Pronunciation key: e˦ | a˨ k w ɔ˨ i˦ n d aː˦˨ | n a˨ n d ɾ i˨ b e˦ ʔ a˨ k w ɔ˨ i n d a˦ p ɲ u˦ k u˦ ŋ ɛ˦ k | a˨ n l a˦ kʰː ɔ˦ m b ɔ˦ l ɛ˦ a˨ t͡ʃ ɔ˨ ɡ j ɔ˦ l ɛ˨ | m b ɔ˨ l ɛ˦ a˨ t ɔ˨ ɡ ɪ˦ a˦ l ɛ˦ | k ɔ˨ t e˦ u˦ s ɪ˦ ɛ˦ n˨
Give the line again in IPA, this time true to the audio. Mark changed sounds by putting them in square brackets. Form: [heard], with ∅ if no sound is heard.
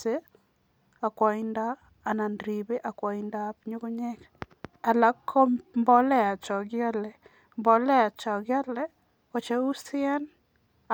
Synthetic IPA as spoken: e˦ | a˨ k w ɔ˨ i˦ n d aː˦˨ | n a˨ n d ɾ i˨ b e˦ ʔ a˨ k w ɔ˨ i n d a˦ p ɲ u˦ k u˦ [ɲ] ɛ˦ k | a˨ [∅] l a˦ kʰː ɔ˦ m b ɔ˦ l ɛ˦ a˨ t͡ʃ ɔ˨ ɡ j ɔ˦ l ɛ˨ | m b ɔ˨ l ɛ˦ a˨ [t͡ʃ] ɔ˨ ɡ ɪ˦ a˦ l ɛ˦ | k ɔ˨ [t͡ʃ] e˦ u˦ s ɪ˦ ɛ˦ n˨